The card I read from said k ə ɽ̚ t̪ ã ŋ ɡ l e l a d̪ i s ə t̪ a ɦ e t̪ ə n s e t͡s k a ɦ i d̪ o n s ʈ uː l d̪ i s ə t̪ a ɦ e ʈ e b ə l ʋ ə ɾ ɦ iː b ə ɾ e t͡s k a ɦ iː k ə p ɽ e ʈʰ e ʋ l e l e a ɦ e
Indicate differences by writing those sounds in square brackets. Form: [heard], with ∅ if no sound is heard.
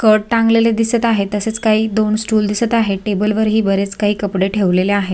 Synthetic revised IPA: k ə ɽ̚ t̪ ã ŋ ɡ l e l [e] d̪ i s ə t̪ a ɦ e t̪ ə [∅] s e t͡s k a ɦ [iː] d̪ o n s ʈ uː l d̪ i s ə t̪ a ɦ e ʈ e b ə l ʋ ə ɾ ɦ iː b ə ɾ e t͡s k a ɦ iː k ə p ɽ e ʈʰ e ʋ l e l e a ɦ e